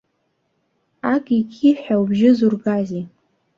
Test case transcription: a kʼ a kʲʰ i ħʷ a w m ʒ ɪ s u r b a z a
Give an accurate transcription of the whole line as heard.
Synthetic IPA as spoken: a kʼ i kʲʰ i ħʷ a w b ʒ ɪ z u r ɡ a z i